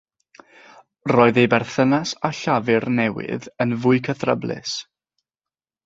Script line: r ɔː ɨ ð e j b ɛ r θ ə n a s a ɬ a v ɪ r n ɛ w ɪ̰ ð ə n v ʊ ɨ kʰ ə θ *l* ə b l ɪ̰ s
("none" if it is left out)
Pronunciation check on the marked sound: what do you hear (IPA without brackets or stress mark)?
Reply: r